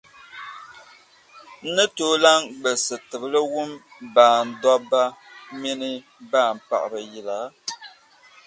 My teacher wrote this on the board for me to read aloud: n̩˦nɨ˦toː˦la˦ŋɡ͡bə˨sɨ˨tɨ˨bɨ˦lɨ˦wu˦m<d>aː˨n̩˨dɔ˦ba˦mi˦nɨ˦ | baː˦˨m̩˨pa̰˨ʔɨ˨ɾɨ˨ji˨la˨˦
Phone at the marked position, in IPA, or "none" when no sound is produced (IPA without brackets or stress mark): b